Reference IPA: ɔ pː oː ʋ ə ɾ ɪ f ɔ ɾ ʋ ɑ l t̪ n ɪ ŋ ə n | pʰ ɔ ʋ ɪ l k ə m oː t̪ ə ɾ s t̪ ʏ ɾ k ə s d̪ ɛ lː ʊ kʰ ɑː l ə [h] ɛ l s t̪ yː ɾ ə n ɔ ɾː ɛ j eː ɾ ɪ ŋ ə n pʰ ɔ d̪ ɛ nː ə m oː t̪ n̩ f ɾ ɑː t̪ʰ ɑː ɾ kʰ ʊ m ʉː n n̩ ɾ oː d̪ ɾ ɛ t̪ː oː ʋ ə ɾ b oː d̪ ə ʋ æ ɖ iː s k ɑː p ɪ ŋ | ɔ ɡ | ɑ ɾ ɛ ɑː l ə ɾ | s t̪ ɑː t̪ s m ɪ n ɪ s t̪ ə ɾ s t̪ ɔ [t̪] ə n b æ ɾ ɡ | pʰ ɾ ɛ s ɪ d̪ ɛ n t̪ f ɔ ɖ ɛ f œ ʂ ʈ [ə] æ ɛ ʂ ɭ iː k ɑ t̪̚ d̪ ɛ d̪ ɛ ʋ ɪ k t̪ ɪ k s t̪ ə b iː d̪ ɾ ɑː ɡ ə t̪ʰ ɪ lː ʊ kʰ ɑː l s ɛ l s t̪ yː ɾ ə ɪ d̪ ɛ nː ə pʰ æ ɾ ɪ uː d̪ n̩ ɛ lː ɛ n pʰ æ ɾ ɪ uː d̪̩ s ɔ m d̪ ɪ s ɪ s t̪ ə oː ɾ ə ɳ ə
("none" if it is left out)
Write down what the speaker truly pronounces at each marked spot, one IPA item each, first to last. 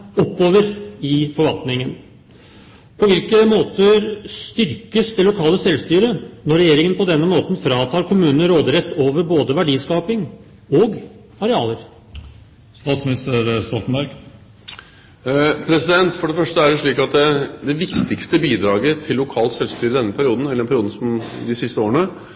s, t̪, ə

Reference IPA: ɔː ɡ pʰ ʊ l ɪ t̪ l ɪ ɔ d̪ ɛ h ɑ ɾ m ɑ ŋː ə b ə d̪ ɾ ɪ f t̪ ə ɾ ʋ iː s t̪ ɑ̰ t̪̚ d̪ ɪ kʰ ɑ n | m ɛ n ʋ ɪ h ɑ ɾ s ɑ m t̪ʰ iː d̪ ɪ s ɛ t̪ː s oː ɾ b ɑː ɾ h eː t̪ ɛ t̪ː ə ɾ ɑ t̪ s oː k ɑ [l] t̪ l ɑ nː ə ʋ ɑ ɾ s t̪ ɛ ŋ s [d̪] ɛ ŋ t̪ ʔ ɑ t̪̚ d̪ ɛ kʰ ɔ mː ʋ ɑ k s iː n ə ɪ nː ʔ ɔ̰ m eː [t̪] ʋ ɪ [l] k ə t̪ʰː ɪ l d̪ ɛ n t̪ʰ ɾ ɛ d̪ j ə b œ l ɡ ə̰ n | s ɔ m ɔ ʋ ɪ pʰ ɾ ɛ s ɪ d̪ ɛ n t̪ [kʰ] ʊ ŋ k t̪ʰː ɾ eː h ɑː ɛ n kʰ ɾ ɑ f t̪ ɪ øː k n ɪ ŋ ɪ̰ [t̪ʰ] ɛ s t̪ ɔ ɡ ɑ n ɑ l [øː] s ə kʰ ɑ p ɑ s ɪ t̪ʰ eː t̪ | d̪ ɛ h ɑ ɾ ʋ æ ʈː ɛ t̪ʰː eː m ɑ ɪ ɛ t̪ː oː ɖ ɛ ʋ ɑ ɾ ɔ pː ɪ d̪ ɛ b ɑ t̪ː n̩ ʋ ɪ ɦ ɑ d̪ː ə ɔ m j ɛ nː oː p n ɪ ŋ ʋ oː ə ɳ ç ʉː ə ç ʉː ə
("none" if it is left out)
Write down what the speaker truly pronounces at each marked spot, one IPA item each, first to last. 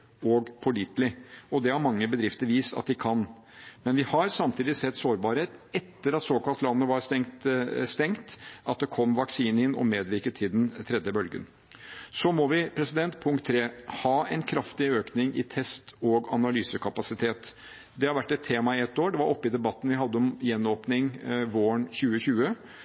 l, t̪, d̪, ɾ, pʰ, t̪ʰ, yː

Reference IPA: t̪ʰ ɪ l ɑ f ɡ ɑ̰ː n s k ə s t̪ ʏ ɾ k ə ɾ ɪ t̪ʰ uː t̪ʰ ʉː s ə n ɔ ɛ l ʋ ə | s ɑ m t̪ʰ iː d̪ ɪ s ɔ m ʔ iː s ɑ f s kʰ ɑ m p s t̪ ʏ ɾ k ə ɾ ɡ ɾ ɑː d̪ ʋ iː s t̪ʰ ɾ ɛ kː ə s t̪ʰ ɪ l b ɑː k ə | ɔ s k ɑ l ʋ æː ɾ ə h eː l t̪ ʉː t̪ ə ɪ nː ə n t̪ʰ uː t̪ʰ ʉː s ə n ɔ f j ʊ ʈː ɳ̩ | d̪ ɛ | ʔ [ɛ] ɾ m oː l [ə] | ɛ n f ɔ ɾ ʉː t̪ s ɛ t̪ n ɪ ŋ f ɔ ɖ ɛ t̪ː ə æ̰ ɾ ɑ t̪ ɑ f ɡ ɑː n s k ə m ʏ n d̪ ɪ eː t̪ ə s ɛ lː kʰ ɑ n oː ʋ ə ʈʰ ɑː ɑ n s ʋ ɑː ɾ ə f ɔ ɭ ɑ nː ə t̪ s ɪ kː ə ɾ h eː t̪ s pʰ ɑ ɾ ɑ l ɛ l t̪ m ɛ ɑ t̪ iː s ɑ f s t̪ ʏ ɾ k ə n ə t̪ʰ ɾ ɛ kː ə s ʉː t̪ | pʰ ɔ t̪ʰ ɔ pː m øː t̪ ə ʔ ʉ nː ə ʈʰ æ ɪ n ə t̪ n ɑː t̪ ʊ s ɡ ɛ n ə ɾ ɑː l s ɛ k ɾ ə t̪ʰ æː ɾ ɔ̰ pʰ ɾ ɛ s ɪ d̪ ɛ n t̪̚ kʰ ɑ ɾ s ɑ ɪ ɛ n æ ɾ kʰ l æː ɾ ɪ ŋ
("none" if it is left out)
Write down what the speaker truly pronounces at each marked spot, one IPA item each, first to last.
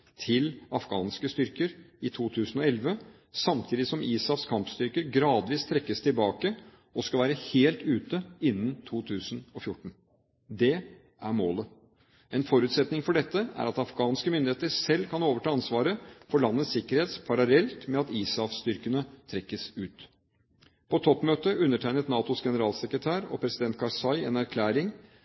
æ, ə

